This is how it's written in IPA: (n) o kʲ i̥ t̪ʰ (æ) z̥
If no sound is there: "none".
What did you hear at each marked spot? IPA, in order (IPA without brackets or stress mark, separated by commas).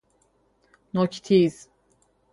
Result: n, i